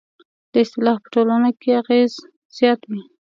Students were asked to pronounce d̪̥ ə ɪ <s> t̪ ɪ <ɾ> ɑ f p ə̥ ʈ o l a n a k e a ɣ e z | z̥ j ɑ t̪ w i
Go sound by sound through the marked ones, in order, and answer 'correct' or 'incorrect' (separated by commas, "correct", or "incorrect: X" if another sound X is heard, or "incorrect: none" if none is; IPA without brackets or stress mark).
correct, incorrect: l